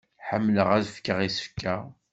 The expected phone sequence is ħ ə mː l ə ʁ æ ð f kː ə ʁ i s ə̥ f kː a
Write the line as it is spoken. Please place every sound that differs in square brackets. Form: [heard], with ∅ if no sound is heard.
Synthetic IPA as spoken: ħ ə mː l ə ʁ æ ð f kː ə ʁ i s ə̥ f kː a